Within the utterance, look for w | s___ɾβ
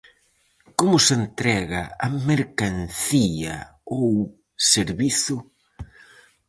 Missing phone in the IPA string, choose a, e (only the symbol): e